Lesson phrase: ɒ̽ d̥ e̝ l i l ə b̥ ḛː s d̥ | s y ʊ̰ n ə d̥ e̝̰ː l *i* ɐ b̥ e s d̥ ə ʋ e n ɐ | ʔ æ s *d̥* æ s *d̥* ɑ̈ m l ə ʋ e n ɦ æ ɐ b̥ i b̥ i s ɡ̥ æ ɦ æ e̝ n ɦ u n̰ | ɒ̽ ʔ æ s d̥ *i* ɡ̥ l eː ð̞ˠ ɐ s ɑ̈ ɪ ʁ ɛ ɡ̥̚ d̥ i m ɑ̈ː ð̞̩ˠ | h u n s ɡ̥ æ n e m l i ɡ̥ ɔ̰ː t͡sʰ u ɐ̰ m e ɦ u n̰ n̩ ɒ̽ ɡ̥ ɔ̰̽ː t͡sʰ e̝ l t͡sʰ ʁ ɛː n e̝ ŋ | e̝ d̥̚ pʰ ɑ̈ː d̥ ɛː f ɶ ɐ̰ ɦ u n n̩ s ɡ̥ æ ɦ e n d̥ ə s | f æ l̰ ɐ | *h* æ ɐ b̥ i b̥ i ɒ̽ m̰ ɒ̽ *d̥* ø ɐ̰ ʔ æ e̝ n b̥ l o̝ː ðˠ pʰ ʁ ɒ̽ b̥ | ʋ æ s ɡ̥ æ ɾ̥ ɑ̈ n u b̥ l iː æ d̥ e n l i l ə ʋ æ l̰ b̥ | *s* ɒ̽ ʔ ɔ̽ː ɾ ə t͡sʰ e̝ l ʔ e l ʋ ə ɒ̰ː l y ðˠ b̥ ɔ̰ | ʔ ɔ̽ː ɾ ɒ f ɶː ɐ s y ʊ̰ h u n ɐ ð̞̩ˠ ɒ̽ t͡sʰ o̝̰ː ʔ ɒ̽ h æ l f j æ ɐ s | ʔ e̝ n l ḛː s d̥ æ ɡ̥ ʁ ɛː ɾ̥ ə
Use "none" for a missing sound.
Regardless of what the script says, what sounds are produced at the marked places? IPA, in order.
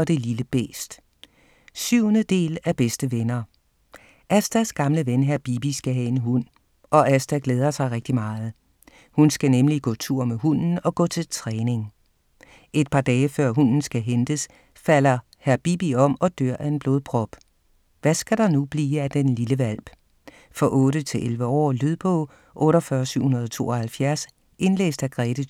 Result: æ, d̥, ɡ̥, æ, h, d̥, f

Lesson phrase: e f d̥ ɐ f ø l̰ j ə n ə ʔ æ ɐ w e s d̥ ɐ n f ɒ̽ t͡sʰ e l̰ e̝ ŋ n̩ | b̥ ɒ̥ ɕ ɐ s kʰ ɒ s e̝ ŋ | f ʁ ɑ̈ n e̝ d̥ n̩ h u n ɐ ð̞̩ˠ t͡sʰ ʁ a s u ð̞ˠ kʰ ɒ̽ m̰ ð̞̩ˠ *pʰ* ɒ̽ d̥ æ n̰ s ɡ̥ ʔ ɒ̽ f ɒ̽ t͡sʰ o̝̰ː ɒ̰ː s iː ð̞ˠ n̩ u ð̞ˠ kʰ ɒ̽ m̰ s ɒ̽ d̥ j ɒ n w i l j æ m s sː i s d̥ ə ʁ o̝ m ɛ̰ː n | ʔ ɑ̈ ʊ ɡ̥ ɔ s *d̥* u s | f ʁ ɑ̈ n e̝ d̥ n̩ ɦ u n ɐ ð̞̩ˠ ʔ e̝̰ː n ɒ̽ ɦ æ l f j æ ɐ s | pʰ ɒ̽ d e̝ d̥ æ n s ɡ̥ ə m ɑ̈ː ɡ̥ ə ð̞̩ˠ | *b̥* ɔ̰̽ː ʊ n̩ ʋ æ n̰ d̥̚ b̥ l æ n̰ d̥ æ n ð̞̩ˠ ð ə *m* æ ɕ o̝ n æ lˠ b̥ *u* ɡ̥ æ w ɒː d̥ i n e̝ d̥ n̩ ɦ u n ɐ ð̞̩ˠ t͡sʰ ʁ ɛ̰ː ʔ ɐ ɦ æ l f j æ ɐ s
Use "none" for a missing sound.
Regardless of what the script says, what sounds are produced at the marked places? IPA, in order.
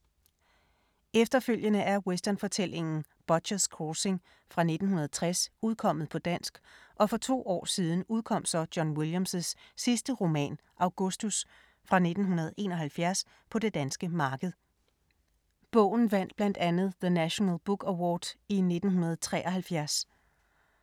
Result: pʰ, d̥, b̥, n, u

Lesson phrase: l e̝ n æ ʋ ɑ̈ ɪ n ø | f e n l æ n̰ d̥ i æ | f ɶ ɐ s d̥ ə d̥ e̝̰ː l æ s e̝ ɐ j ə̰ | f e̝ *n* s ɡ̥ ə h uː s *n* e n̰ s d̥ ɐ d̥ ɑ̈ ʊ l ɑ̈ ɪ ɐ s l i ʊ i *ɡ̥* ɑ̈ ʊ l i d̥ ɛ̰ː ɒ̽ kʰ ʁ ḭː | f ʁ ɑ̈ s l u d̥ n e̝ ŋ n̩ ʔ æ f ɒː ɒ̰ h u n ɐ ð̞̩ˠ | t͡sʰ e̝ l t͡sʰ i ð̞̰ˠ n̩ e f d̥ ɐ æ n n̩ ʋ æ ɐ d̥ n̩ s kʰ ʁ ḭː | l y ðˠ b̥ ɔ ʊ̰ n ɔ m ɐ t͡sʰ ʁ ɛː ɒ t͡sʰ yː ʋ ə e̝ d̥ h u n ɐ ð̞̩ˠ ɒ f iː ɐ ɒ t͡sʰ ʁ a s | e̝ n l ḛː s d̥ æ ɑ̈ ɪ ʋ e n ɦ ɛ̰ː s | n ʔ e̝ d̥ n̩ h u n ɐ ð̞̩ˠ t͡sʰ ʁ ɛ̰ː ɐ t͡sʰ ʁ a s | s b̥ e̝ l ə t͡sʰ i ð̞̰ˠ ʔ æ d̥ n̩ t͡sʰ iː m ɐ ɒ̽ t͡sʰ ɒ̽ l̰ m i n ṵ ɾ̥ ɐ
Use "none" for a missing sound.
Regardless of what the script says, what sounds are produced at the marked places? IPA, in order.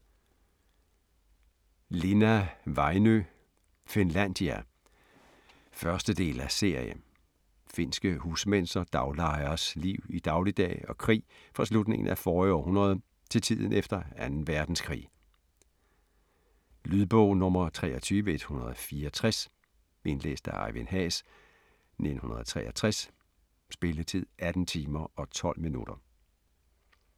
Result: n, m, d̥

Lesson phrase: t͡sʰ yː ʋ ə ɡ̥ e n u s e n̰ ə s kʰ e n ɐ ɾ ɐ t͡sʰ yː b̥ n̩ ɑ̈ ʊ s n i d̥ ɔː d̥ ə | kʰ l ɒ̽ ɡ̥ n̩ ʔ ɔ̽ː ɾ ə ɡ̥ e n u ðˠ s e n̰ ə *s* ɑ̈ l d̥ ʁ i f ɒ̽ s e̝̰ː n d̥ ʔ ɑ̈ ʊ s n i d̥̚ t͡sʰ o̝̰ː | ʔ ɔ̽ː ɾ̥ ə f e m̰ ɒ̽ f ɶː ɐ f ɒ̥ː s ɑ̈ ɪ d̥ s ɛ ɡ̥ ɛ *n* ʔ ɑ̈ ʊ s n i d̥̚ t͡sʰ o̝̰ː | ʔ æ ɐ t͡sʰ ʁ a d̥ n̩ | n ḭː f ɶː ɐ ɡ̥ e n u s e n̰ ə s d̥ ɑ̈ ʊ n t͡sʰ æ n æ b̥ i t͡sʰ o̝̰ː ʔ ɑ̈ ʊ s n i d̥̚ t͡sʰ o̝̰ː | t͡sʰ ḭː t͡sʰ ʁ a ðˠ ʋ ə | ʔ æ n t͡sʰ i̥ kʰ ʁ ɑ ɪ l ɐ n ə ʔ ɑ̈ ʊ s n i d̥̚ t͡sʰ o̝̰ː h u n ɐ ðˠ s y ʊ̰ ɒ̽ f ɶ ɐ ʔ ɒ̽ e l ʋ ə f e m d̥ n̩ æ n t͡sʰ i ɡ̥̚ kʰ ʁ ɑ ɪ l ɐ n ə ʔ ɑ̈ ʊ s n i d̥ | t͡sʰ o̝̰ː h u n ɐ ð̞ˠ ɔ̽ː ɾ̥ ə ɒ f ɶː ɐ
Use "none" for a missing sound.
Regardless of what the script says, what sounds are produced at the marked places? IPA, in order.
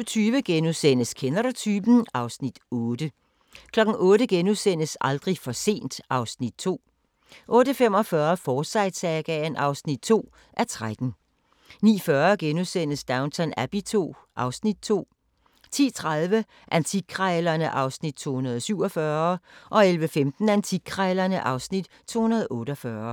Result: s, n

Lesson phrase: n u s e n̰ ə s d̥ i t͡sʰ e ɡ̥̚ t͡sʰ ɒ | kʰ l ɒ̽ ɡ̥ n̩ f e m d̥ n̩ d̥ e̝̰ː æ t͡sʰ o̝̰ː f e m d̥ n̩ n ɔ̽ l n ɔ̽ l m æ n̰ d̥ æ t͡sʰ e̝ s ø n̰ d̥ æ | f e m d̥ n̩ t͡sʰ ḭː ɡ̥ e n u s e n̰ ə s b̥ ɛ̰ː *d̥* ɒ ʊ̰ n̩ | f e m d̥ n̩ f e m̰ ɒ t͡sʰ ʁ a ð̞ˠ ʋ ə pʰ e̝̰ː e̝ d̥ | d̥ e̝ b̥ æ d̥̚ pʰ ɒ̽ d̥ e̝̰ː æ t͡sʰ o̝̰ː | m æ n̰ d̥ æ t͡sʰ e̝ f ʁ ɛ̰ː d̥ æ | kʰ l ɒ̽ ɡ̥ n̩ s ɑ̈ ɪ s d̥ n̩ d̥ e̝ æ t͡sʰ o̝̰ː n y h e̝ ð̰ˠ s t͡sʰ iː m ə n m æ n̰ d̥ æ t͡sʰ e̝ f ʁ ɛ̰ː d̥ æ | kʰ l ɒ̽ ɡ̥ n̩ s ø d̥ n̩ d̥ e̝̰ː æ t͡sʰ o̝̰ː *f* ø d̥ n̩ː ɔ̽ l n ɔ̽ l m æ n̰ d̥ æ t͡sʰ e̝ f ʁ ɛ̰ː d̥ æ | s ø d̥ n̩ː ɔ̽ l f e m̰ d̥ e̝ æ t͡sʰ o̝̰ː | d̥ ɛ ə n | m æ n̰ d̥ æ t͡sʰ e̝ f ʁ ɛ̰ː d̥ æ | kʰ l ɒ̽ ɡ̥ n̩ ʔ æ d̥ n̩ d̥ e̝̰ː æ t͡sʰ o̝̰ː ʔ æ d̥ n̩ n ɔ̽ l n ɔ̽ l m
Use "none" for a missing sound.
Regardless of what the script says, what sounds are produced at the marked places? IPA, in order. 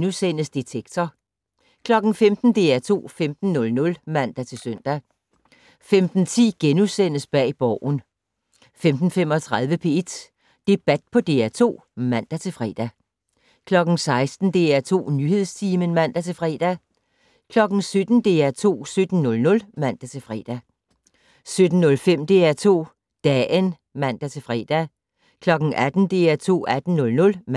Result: b̥, s

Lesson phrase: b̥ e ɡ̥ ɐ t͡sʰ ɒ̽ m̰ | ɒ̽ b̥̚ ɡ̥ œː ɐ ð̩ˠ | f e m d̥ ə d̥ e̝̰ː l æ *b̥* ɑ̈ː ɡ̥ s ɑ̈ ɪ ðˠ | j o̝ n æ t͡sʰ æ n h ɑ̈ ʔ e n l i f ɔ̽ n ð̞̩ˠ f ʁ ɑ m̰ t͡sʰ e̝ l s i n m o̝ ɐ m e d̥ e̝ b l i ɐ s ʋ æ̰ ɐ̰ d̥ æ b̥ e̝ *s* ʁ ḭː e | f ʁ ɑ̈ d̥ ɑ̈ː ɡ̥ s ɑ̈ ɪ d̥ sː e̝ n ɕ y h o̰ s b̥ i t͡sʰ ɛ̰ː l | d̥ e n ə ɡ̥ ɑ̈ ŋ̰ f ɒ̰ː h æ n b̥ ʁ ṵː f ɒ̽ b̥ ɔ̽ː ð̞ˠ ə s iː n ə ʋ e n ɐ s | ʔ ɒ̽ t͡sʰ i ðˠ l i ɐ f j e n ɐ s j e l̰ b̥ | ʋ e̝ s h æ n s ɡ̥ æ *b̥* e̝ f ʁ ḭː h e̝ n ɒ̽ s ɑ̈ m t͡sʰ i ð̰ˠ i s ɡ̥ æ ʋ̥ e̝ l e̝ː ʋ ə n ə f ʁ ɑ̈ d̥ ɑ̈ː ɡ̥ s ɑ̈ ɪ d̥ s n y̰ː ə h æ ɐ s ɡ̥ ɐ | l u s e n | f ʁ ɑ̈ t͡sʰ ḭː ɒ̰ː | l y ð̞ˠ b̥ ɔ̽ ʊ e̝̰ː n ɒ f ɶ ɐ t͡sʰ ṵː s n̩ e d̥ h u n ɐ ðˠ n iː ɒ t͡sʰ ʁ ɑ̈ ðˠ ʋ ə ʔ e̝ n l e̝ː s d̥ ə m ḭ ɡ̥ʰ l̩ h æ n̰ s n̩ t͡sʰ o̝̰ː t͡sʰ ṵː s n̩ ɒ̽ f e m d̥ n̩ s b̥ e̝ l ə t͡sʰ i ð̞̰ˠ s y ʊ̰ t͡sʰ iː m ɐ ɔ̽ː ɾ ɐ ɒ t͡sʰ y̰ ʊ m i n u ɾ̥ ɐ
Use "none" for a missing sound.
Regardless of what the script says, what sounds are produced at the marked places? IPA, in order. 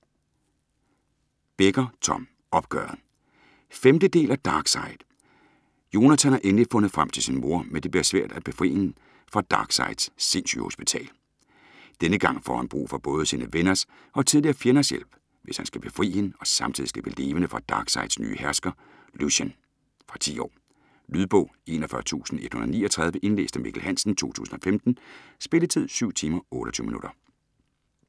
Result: d̥, f, b̥

